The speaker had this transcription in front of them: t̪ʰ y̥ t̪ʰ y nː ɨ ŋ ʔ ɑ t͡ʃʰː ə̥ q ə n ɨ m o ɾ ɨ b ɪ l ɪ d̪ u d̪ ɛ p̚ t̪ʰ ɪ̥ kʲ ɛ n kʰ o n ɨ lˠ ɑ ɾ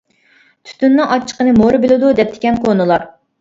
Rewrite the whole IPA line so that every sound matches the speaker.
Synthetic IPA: t̪ʰ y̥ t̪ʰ y nː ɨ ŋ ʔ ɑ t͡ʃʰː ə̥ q ə n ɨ m o ɾ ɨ b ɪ l ɪ d̪ u d̪ ɛ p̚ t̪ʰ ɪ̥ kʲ ɛ n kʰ o n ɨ lˠ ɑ ɾ